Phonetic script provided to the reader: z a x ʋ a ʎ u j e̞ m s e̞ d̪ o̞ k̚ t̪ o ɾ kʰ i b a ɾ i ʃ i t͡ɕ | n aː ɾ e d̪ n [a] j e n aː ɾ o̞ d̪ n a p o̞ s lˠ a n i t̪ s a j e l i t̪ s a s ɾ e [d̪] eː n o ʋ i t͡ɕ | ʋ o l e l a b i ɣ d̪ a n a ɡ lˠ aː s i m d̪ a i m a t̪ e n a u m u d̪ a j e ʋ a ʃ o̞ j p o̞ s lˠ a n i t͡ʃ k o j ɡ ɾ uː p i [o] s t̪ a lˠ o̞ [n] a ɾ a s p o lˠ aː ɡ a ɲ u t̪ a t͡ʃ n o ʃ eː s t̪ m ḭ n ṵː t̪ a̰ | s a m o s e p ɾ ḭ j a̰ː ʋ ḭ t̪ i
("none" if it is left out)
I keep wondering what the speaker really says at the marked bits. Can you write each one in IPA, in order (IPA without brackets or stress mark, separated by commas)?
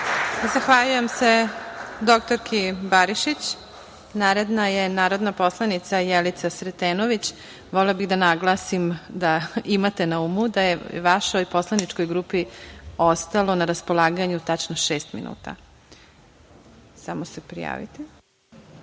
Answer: a, t̪, o, n